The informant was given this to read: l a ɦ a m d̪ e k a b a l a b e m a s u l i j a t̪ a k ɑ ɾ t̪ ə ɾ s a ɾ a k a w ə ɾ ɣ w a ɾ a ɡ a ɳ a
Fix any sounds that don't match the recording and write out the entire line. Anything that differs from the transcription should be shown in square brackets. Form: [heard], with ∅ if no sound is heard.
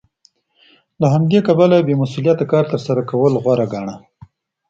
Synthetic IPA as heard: l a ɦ a m d̪ e k a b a l a b e m a s u l i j a t̪ a k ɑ ɾ t̪ ə ɾ s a ɾ a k a w ə [l] ɣ w a ɾ a ɡ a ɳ a